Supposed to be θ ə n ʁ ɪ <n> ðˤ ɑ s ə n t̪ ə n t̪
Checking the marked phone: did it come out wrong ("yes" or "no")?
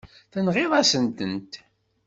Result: yes